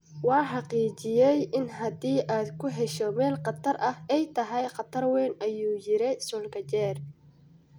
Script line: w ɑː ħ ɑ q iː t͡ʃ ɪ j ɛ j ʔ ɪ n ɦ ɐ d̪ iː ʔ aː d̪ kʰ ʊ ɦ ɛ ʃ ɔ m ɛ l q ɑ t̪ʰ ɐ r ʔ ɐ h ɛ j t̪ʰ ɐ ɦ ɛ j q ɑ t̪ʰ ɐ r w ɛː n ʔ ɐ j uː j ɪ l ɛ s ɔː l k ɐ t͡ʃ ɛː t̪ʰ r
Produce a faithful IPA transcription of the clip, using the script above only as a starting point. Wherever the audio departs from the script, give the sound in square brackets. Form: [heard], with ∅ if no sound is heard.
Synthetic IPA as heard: w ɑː ħ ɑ q iː t͡ʃ ɪ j ɛ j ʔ ɪ n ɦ ɐ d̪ iː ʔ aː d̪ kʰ ʊ ɦ ɛ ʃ ɔ m [ɛː] l q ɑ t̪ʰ ɐ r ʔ ɐ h ɛ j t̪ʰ ɐ ɦ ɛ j q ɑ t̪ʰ ɐ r w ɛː n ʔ ɐ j uː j ɪ [ɾ] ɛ s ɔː l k ɐ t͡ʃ ɛː [∅] r